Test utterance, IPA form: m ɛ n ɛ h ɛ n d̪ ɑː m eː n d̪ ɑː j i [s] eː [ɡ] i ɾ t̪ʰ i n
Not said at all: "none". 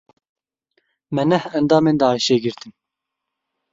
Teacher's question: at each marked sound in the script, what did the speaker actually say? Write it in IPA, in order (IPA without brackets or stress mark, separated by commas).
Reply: ʃ, ɡ